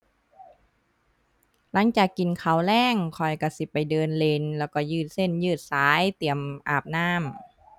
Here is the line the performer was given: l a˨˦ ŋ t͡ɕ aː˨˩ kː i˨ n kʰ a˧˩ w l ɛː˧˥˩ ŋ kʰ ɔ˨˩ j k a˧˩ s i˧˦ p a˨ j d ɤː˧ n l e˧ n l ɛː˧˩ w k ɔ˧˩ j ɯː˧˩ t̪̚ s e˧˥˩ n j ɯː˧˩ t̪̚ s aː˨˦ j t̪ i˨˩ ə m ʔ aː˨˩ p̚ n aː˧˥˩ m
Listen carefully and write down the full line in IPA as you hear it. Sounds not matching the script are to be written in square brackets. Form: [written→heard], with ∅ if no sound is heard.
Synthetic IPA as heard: l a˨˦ ŋ t͡ɕ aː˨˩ kː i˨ n kʰ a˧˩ w l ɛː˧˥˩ ŋ kʰ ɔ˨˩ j k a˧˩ s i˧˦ p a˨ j d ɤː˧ n l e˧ n l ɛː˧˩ w k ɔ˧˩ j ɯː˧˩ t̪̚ s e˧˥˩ n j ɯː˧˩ t̪̚ s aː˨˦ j t̪ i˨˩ ə m ʔ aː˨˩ p̚ n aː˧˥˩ m